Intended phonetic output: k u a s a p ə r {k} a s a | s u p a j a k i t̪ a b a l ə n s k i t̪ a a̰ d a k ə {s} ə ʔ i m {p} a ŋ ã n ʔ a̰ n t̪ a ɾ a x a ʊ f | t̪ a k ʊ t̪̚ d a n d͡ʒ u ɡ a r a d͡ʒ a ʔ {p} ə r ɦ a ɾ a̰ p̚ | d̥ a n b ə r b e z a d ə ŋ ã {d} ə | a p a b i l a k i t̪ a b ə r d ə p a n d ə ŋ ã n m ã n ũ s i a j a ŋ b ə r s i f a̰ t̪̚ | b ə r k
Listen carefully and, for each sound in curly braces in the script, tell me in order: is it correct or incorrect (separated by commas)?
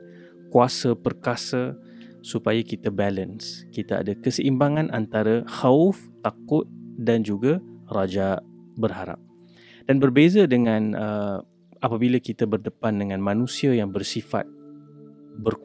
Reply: correct, correct, incorrect, incorrect, incorrect